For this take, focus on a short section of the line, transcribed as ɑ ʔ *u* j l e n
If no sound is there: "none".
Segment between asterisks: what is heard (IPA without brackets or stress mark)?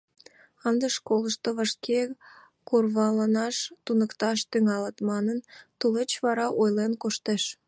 o